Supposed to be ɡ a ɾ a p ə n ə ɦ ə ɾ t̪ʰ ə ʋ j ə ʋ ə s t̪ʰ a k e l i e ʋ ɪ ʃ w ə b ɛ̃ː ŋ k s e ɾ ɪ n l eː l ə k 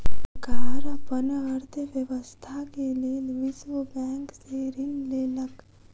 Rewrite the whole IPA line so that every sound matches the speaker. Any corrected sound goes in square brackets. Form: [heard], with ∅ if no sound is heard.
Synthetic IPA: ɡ a ɾ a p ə n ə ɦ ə ɾ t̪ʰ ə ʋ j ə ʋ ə s t̪ʰ a k e l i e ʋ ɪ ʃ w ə b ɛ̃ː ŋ k s e ɾ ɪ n l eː l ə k